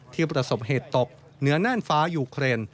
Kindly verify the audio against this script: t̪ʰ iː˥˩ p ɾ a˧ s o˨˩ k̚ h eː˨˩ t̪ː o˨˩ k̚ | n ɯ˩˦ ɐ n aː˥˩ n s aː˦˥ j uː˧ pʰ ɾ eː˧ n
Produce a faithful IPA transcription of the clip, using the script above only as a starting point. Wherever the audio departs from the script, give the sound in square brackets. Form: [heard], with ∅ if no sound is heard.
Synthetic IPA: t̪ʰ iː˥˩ p ɾ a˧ s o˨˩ [p̚] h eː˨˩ t̪ː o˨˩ k̚ | n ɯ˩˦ ɐ n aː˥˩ n [f] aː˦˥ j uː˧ [kʰ] ɾ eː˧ n